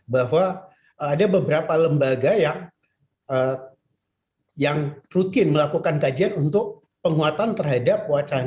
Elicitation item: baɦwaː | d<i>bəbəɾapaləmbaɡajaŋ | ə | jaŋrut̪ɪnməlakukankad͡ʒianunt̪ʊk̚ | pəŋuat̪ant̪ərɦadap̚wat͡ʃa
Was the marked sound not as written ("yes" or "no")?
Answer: yes